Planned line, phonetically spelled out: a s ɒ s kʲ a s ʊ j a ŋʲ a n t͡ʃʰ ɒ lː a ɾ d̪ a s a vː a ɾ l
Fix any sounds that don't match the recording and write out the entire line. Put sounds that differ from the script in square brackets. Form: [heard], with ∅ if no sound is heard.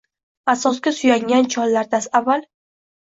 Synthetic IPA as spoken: a s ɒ s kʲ a s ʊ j a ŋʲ a n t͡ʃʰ ɒ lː a ɾ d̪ a s a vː a [∅] l